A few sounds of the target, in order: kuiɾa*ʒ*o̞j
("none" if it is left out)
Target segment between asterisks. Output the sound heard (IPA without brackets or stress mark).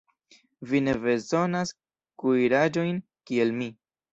d͡ʒ